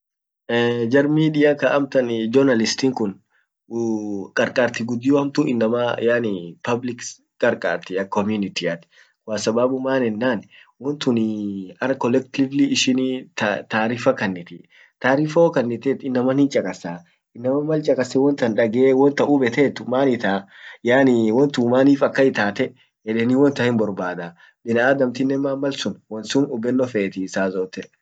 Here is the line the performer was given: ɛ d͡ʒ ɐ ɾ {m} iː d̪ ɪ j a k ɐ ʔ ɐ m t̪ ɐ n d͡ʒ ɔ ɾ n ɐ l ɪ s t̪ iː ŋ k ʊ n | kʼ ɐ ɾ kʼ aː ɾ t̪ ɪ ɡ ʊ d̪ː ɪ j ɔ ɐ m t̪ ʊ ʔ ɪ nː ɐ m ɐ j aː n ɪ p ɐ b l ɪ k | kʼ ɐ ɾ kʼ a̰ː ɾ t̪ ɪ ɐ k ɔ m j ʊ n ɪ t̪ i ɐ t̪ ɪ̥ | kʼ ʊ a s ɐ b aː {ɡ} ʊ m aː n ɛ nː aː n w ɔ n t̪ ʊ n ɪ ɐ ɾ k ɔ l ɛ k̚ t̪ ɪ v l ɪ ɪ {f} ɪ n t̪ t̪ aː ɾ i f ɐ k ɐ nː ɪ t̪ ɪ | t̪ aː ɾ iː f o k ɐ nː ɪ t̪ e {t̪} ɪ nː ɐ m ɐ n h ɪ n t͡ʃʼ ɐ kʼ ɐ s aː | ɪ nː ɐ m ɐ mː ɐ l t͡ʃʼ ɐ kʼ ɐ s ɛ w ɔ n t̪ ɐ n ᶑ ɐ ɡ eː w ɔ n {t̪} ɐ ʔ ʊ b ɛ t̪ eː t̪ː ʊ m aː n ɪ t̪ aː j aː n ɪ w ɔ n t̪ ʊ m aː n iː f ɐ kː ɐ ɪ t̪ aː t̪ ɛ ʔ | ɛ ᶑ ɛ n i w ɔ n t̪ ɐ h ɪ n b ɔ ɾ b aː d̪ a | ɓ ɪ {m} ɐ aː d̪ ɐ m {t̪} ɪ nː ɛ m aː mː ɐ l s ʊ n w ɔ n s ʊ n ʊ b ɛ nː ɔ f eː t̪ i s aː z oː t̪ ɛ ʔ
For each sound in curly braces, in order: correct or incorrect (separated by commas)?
correct, incorrect, incorrect, correct, correct, incorrect, correct